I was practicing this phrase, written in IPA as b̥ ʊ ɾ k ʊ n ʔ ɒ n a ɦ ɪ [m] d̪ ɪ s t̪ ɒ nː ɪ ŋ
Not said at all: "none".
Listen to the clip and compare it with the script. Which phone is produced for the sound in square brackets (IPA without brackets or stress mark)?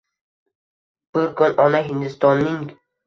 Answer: n